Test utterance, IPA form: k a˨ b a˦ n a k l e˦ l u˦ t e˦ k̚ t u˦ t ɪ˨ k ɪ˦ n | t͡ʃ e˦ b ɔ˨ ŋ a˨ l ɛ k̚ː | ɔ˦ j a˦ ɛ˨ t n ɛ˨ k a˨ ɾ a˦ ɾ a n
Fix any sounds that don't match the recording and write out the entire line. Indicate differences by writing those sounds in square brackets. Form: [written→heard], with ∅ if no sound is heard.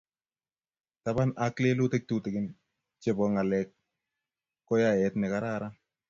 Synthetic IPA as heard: [k→t] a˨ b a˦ n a k l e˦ l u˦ t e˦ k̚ t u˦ t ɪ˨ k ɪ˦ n | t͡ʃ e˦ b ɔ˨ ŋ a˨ l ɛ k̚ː | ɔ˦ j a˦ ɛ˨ t n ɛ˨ k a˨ ɾ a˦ ɾ a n